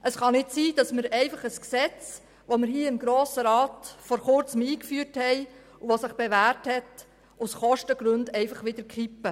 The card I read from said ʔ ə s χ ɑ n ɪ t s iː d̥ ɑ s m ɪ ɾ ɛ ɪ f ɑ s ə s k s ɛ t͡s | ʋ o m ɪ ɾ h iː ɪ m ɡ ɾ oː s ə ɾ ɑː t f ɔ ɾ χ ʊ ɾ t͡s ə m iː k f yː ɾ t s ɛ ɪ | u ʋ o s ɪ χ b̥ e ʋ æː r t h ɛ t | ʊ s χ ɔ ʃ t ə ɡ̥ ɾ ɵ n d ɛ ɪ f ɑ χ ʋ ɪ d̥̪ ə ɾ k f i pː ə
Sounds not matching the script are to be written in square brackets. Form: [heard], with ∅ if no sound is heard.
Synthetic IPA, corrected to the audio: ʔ ə s χ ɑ n ɪ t s iː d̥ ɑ s m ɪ ɾ ɛ ɪ f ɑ [χ] ə s k s ɛ t͡s | ʋ o m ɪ ɾ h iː ɪ m ɡ ɾ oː s ə ɾ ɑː t f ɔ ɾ χ ʊ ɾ t͡s ə m iː k f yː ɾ t [h] ɛ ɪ | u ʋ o s ɪ χ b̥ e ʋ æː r t h ɛ t | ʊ s χ ɔ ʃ t ə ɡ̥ ɾ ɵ n d ɛ ɪ f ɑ χ ʋ ɪ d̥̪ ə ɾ k [χ] i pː ə